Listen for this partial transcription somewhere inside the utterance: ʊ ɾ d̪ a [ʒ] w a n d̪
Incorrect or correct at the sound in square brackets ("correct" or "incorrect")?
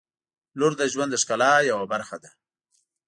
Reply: correct